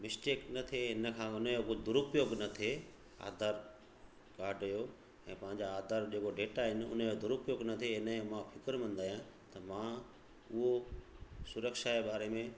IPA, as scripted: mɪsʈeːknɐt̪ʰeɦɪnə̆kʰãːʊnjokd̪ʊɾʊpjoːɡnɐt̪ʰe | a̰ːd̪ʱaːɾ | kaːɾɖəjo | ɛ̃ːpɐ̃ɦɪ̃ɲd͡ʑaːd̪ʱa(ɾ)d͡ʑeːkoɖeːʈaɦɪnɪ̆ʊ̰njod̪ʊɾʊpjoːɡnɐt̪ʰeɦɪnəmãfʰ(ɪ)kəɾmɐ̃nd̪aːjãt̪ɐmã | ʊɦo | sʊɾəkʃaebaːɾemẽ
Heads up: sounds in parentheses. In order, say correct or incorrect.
correct, correct

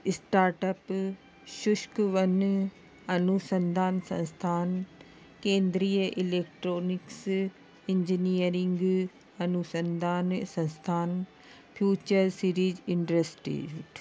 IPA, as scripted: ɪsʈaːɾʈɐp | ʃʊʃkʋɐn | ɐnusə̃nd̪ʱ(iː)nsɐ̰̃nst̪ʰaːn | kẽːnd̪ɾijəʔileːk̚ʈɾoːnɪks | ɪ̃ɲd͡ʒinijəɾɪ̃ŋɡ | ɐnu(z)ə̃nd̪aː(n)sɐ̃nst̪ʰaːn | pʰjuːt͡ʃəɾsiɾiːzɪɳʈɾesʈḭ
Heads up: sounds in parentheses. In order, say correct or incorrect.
incorrect: aː, incorrect: s, correct

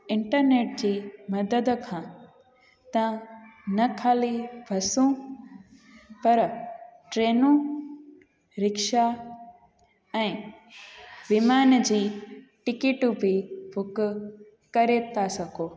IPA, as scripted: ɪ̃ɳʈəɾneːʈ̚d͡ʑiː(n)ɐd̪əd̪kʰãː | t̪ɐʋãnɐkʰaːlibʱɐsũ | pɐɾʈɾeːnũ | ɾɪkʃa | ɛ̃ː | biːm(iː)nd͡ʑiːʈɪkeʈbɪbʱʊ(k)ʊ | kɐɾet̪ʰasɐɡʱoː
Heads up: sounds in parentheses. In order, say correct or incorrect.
incorrect: m, incorrect: aː, correct

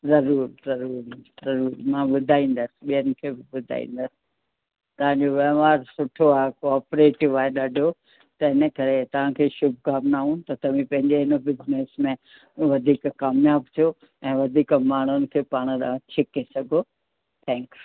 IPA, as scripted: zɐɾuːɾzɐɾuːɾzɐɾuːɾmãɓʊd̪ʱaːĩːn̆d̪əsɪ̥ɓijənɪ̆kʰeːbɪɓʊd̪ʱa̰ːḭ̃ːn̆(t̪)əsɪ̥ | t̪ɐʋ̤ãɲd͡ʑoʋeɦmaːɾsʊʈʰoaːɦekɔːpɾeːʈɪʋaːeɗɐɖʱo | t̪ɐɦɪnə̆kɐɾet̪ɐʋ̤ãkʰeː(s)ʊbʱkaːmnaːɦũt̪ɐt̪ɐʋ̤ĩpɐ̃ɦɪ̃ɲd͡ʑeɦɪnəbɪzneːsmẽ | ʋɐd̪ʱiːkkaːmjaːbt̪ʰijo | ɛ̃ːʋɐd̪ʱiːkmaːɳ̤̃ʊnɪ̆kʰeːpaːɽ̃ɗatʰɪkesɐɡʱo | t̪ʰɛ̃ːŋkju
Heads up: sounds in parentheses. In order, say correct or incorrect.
incorrect: d̪, incorrect: ʃ

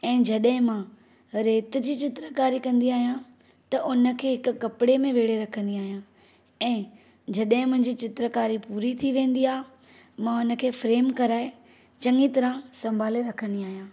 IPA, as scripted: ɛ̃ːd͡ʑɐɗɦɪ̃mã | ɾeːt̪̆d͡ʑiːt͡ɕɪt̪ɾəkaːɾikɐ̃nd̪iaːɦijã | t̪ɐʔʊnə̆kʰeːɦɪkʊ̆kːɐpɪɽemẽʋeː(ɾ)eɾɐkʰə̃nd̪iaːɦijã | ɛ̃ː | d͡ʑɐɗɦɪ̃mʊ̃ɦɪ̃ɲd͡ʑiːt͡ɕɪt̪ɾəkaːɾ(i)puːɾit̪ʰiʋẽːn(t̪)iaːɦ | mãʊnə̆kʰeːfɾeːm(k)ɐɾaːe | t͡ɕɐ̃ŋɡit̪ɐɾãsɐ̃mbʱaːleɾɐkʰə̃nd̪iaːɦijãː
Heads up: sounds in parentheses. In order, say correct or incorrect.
incorrect: ɽ, correct, incorrect: d̪, correct

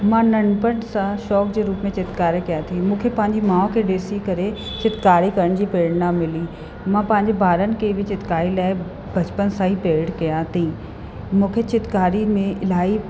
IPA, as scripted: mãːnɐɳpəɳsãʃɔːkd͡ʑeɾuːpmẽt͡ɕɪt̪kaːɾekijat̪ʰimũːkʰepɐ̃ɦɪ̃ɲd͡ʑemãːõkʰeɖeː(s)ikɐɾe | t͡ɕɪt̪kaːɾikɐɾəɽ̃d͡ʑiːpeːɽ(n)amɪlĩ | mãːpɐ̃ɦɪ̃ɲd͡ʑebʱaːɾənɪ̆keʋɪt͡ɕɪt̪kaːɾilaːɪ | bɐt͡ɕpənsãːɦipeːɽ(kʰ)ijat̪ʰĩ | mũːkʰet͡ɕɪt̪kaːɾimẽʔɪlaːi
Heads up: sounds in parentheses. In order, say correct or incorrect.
correct, correct, incorrect: k

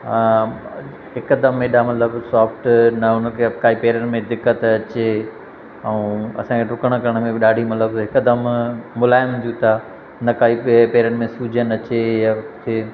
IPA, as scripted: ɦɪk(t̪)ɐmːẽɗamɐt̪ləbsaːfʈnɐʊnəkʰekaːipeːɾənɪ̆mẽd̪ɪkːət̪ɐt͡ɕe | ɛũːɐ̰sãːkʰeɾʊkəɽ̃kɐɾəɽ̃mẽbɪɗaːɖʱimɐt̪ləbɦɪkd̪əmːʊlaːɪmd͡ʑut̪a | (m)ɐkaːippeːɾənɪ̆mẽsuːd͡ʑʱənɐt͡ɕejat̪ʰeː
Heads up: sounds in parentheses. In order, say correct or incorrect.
incorrect: d̪, incorrect: n

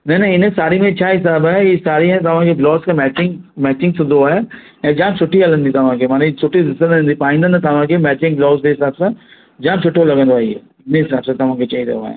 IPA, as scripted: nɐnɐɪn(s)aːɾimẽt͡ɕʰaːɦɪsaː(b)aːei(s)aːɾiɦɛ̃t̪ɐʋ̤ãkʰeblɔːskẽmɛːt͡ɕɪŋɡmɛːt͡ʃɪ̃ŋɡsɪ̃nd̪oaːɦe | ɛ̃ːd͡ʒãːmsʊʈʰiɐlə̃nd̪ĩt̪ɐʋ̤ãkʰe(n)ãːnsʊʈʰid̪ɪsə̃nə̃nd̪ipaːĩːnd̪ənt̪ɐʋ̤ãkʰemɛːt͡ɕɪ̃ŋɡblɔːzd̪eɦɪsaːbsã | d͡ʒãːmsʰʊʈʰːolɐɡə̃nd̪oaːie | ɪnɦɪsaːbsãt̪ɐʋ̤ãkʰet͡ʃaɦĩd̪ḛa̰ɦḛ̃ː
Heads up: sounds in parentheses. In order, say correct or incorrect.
correct, correct, correct, incorrect: m

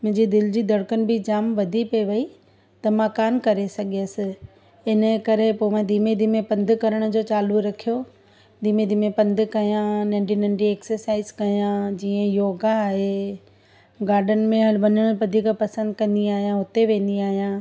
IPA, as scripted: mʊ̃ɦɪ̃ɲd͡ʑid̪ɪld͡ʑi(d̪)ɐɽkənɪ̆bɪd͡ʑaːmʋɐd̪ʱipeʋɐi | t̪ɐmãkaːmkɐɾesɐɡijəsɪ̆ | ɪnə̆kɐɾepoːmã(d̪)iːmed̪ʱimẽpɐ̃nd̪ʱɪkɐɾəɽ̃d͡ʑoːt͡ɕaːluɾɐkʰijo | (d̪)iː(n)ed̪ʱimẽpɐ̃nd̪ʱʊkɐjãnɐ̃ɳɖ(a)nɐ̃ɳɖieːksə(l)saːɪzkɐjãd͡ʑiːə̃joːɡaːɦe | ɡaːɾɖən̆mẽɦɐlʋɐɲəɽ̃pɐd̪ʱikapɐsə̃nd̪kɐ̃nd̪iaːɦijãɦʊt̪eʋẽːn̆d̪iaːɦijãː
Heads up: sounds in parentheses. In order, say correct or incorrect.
correct, correct, correct, incorrect: m, incorrect: i, incorrect: ɾ

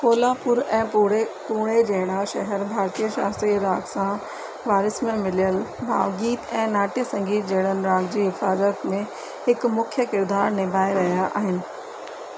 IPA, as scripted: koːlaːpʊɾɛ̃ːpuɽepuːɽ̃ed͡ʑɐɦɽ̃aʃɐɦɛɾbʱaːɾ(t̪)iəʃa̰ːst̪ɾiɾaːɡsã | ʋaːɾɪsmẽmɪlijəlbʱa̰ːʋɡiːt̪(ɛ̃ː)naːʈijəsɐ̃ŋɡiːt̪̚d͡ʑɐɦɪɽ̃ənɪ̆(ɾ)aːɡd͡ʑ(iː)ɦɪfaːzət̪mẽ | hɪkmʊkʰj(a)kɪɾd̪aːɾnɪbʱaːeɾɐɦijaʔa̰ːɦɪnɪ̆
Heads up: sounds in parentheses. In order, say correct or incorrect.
correct, correct, correct, correct, incorrect: ə

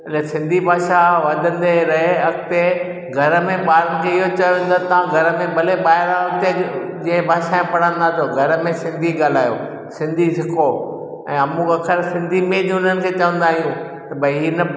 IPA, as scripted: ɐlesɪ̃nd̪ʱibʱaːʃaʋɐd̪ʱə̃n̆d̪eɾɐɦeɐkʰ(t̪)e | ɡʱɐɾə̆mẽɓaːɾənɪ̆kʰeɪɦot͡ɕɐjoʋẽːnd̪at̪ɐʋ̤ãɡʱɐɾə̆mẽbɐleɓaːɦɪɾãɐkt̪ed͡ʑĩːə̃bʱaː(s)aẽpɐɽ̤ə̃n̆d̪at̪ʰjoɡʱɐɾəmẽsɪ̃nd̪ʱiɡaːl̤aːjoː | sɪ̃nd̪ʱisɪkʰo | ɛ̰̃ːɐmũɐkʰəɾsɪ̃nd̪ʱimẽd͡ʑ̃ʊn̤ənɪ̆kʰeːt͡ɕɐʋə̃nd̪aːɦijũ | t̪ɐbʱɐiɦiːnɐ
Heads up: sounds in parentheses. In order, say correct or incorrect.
correct, incorrect: ʃ

